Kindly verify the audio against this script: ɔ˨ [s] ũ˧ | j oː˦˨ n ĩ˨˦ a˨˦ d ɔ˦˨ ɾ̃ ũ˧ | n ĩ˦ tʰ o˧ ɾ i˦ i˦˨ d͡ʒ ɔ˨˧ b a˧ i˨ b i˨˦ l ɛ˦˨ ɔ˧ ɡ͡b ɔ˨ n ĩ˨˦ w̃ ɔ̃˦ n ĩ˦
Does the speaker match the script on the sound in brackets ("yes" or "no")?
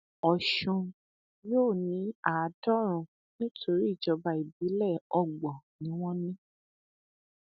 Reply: no